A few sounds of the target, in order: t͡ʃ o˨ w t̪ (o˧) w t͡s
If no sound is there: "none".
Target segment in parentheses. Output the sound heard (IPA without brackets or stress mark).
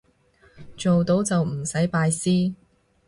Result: o˨˥